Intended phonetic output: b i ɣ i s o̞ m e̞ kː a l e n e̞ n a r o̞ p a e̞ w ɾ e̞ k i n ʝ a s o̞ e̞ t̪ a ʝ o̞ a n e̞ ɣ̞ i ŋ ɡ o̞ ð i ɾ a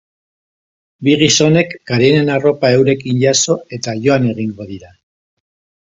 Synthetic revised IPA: b i ɣ i s o̞ n e̞ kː a ɾ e n e̞ n a r o̞ p a e̞ w ɾ e̞ k i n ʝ a s o̞ e̞ t̪ a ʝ o̞ a n e̞ ɣ̞ i ŋ ɡ o̞ ð i ɾ a